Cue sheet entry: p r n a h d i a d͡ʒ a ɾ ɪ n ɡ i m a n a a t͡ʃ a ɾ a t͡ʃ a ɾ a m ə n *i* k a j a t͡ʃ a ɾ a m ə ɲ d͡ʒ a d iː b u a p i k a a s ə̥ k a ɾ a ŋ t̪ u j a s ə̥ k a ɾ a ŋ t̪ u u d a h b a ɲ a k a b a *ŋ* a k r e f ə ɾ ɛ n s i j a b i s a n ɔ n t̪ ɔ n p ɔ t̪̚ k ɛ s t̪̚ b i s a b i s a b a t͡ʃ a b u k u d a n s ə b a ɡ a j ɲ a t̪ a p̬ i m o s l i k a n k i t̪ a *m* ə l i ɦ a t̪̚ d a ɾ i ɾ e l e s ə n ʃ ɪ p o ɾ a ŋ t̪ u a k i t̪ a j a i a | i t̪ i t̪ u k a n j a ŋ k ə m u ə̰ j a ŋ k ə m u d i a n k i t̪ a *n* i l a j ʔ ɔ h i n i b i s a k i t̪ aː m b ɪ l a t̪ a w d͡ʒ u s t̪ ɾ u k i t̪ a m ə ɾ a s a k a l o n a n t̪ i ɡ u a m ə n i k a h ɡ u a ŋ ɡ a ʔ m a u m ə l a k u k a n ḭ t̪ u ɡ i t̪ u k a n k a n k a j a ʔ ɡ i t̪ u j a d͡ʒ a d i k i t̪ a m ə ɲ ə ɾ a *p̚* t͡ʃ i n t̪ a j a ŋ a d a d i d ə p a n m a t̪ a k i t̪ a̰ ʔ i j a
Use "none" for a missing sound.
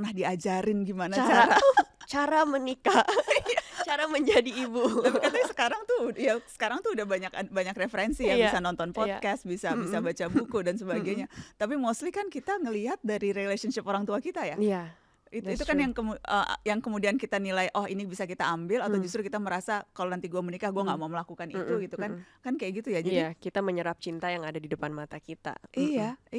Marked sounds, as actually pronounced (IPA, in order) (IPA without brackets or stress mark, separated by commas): i, ɲ, ŋ, n, p̚